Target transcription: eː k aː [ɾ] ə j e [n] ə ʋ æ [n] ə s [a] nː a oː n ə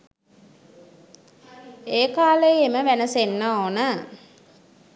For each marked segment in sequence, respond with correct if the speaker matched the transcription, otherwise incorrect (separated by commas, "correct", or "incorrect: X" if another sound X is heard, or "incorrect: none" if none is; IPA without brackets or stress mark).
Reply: incorrect: l, incorrect: m, correct, incorrect: e